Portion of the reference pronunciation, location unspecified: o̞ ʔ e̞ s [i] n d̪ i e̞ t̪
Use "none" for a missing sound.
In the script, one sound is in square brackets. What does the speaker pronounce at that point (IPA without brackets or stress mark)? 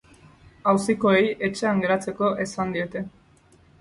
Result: a